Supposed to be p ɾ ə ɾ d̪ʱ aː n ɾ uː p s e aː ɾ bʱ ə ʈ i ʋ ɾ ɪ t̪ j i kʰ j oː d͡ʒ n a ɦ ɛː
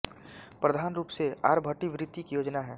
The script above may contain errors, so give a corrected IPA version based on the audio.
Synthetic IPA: p ɾ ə d̪ʱ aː n ɾ uː p s e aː ɾ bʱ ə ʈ i ʋ ɾ ɪ t̪ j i k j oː d͡ʒ n a ɦ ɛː